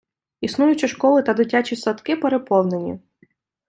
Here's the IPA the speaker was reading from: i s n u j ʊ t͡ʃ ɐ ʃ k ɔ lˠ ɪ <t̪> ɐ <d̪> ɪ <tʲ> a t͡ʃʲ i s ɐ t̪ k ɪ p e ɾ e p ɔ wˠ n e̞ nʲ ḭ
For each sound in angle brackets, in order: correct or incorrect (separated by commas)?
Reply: correct, correct, correct